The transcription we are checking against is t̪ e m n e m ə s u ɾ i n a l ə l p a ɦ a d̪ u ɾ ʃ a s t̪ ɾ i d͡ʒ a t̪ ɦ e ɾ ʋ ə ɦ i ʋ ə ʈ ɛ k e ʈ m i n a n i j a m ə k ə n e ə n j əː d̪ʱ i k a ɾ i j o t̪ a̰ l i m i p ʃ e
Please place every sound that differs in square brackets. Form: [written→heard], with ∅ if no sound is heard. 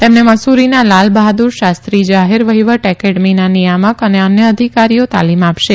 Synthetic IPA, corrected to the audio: t̪ e m n e m ə s u ɾ i n a l [ə→a] l [p→b] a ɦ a d̪ u ɾ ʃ a s t̪ ɾ i d͡ʒ a [t̪→∅] ɦ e ɾ ʋ ə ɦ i ʋ ə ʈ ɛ k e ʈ m i n a n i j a m ə k ə n e ə n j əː d̪ʱ i k a ɾ i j o t̪ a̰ l i m [i→a] p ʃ e